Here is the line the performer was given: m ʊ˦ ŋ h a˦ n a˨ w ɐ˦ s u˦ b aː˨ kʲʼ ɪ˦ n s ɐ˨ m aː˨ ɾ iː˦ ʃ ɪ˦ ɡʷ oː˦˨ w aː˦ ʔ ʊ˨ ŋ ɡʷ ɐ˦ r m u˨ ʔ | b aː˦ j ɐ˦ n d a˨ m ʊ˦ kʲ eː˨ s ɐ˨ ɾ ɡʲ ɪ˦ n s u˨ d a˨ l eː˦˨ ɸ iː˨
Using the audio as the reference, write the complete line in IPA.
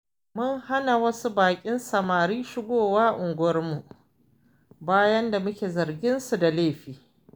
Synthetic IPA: m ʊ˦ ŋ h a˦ n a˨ w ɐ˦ s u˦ b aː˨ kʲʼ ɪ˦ n s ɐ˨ m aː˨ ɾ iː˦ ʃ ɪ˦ ɡʷ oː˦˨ w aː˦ ʔ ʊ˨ ŋ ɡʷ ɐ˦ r m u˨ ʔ | b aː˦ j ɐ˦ n d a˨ m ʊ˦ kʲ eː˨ z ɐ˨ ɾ ɡʲ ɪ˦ n s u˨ d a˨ l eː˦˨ ɸ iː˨